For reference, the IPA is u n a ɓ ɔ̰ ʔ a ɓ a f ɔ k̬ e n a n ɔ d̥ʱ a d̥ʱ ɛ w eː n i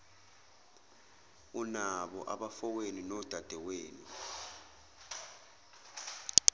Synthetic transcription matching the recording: u n a ɓ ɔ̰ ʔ a ɓ a f ɔ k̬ e n i n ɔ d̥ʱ a d̥ʱ ɛ w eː n i